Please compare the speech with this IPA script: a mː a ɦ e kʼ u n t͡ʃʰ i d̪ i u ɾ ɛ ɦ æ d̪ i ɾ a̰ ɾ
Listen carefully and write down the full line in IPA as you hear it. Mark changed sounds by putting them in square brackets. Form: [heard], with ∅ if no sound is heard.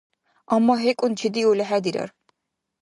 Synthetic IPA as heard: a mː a ɦ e kʼ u n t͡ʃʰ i d̪ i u [l] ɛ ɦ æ d̪ i ɾ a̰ ɾ